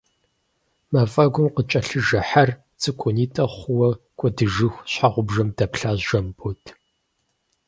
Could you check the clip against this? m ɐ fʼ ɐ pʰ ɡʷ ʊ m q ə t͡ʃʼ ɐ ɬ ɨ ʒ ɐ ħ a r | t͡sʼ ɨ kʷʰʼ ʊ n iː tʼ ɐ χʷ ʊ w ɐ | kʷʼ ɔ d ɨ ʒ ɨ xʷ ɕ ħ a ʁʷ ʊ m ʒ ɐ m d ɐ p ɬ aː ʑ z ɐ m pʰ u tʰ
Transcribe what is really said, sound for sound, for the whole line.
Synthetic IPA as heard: m ɐ fʼ ɐ ɡʷ ʊ m q ə t͡ʃʼ ɐ ɬ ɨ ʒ ɐ ħ a r | t͡sʼ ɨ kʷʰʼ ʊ n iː tʼ ɐ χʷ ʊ w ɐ | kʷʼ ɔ d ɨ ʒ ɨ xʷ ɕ ħ a ʁʷ ʊ b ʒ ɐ m d ɐ p ɬ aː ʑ ʒ ɐ m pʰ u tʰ